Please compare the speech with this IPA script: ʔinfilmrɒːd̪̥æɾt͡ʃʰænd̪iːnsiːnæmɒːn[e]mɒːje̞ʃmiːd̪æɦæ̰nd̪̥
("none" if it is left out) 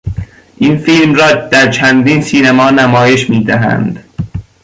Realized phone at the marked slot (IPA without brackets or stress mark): æ